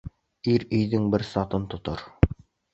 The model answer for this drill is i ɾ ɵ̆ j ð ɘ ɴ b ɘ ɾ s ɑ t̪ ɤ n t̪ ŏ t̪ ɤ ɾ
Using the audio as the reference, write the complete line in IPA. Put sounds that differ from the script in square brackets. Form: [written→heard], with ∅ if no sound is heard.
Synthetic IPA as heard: i ɾ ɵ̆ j ð ɘ [ɴ→ŋ] b ɘ ɾ s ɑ t̪ ɤ n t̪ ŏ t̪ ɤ ɾ

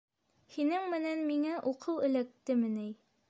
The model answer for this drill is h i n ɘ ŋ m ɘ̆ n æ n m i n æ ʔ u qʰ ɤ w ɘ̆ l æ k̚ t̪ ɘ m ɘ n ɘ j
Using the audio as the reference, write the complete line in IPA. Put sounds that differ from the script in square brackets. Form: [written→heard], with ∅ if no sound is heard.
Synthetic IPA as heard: h i n ɘ ŋ m ɘ̆ n æ n m i [n→ŋ] æ ʔ u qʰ ɤ w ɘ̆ l æ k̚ t̪ ɘ m ɘ n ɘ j

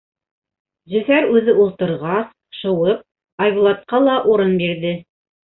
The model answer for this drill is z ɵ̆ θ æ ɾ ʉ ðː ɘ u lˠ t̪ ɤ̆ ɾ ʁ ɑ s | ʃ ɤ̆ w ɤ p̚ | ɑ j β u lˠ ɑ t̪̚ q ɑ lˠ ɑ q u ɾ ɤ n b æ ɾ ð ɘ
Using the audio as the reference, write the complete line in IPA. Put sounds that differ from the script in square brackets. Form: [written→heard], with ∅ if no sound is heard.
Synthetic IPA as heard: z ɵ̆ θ æ ɾ ʉ [ðː→ð] ɘ u lˠ t̪ ɤ̆ ɾ ʁ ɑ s | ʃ ɤ̆ w ɤ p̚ | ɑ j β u lˠ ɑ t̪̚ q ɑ lˠ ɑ [q→ʔ] u ɾ ɤ n b [æ→i] ɾ ð ɘ

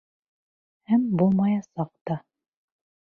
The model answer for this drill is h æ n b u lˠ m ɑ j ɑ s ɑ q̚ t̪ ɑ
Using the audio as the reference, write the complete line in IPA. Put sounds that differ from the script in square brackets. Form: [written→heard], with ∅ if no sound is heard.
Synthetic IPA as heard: h æ [n→m] b u lˠ m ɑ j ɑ s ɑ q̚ t̪ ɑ

